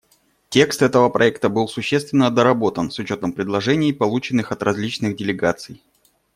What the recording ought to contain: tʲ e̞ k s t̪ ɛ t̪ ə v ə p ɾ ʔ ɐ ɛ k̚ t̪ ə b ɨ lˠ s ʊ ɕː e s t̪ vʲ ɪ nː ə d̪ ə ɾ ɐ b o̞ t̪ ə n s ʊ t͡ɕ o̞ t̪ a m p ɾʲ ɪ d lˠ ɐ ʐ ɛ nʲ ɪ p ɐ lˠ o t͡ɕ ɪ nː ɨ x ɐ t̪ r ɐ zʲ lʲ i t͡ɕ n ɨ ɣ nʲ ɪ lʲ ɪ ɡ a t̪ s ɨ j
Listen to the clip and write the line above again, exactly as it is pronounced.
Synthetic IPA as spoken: tʲ e̞ k s t̪ ɛ t̪ ə v ə p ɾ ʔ ɐ ɛ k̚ t̪ ə b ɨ lˠ s ʊ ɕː e s t̪ vʲ ɪ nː ə d̪ ə ɾ ɐ b o̞ t̪ ə n s ʊ t͡ɕ o̞ t̪ ə m p ɾʲ ɪ d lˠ ɐ ʐ ɛ nʲ ɪ p ɐ lˠ u t͡ɕ ɪ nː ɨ x ɐ t̪ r ɐ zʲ lʲ i t͡ɕ n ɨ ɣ dʲ ɪ lʲ ɪ ɡ a t̪ s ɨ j